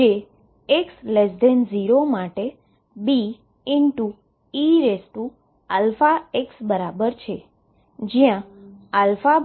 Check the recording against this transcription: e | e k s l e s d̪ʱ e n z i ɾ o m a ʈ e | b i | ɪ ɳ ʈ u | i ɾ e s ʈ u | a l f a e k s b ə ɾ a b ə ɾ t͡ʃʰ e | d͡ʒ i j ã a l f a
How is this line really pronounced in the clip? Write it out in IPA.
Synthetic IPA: e | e k s l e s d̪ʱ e n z i ɾ o m a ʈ e | b i | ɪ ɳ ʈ u | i ɾ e s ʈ u | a l f a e k s b ə ɾ a b ə ɾ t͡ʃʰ e | d͡ʒ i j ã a l f a